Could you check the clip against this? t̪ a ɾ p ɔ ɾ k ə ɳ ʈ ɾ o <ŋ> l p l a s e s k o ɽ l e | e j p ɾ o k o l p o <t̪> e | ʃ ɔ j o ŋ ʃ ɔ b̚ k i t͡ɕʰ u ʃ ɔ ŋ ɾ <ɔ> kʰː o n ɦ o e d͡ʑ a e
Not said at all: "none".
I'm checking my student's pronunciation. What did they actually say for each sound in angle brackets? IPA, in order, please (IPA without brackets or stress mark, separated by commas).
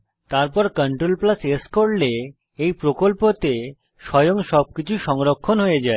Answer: none, t̪, o